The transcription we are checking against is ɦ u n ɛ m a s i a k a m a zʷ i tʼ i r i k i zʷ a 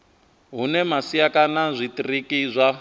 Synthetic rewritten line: ɦ u n ɛ m a s i a k a n a zʷ i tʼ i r i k i zʷ a